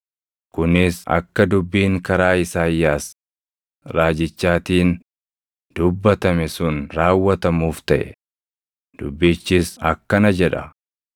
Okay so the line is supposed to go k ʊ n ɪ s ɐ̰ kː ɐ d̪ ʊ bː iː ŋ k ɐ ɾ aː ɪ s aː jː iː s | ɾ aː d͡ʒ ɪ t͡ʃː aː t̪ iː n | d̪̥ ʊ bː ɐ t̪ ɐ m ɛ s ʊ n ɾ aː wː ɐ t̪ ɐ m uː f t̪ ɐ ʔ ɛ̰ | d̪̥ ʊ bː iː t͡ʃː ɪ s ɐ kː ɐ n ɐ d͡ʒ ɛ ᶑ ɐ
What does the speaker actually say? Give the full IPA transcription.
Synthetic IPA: k ʊ n ɪ s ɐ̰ kː ɐ d̪ ʊ bː iː ŋ k ɐ ɾ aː ɪ s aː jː aː s | ɾ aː d͡ʒ ɪ t͡ʃː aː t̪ iː n | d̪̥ ʊ bː ɐ t̪ ɐ m ɛ s ʊ n ɾ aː wː ɐ t̪ ɐ m uː f t̪ ɐ ʔ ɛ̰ | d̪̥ ʊ bː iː t͡ʃː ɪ s ɐ kː ɐ n ɐ d͡ʒ ɛ ᶑ ɐ

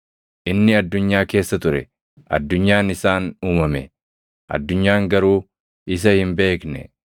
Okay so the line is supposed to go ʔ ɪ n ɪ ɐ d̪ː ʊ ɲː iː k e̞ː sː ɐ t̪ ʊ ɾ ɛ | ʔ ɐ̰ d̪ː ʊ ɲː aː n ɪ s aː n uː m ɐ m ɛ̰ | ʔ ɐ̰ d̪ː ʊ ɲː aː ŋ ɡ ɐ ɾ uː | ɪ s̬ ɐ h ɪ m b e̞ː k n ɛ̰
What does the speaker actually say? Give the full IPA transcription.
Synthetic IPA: ʔ ɪ nː ɪ ɐ d̪ː ʊ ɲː aː k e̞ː sː ɐ t̪ ʊ ɾ ɛ | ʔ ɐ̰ d̪ː ʊ ɲː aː n ɪ s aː n uː m ɐ m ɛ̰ | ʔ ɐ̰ d̪ː ʊ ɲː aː ŋ ɡ ɐ ɾ uː | ɪ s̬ ɐ h ɪ m b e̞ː k n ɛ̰

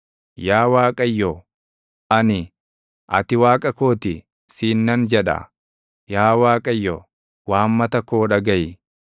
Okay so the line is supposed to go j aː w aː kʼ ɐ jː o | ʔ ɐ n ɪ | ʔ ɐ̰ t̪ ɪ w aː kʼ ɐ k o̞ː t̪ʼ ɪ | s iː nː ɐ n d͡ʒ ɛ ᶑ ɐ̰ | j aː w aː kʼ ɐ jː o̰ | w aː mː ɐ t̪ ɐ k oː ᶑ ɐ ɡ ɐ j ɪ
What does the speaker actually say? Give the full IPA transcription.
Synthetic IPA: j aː w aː kʼ ɐ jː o | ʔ ɐ n ɪ | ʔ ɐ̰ t̪ ɪ w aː kʼ ɐ k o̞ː t̪ ɪ | s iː nː ɐ n d͡ʒ ɛ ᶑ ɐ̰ | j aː w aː kʼ ɐ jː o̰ | w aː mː ɐ t̪ ɐ k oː ᶑ ɐ ɡ ɐ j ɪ

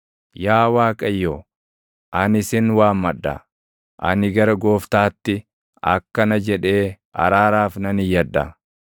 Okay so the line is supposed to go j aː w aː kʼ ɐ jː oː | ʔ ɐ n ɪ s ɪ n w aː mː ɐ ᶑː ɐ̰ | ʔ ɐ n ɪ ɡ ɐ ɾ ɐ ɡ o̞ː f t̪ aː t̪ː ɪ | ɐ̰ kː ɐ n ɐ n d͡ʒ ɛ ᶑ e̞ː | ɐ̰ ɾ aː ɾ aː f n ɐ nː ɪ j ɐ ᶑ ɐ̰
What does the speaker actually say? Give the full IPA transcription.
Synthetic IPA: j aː w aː kʼ ɐ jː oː | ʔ ɐ n ɪ s ɪ n w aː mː ɐ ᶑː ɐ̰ | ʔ ɐ n ɪ ɡ ɐ ɾ ɐ ɡ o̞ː f t̪ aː t̪ː ɪ | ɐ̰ kː ɐ n ɐ d͡ʒ ɛ ᶑ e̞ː | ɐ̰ ɾ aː ɾ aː f n ɐ n ɪ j ɐ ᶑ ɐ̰

